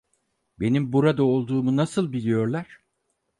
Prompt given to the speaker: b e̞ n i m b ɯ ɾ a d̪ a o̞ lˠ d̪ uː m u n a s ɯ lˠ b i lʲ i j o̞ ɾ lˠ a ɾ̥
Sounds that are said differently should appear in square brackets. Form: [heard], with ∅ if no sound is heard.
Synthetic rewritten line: b e̞ n i m b [u] ɾ a d̪ a o̞ lˠ d̪ uː m u n a s ɯ lˠ b i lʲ i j o̞ ɾ lˠ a ɾ̥